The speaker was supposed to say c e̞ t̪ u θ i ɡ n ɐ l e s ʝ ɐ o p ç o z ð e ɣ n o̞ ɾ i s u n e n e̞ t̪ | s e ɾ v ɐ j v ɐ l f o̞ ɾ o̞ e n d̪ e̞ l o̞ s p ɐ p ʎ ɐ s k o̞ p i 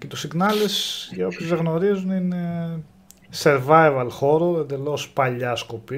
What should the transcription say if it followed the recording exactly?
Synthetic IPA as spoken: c e̞ t̪ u s i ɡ n ɐ l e s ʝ ɐ o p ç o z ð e ɣ n o̞ ɾ i z u n i n e̞ | s e ɾ v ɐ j v ɐ l x o̞ ɾ o̞ e n d̪ e̞ l o̞ s p ɐ ʎ ɐ s k o̞ p i